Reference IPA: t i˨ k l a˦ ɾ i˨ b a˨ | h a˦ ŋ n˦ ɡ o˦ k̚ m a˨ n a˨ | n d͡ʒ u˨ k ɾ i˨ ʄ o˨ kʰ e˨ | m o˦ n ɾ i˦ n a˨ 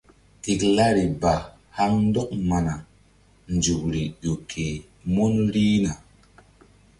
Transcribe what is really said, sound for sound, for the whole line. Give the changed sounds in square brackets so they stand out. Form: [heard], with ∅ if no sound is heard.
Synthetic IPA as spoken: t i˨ k l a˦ ɾ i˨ b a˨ | h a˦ ŋ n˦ [d] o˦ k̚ m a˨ n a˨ | n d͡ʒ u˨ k ɾ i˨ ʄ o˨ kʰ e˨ | m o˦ n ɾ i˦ n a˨

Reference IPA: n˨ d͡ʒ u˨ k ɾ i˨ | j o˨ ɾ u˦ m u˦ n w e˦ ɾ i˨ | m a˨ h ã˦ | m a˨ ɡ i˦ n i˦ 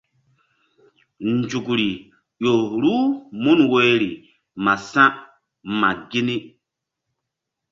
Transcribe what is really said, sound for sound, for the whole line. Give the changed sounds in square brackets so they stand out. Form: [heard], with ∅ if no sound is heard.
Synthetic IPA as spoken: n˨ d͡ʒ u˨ k ɾ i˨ | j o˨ ɾ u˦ m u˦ n w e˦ ɾ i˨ | m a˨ [s] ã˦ | m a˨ ɡ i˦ n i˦

